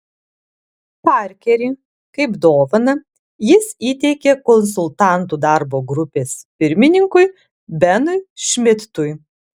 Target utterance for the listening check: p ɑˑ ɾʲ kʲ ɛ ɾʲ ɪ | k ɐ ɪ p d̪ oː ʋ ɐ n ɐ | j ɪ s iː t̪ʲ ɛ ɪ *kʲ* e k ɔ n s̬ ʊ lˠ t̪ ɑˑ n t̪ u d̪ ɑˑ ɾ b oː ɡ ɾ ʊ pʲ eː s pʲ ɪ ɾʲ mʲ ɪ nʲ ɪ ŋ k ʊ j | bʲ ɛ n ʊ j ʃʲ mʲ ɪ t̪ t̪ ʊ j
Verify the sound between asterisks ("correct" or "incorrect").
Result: correct